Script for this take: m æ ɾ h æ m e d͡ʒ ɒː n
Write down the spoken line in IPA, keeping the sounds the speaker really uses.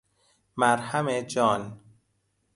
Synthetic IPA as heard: m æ ɾ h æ m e d͡ʒ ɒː n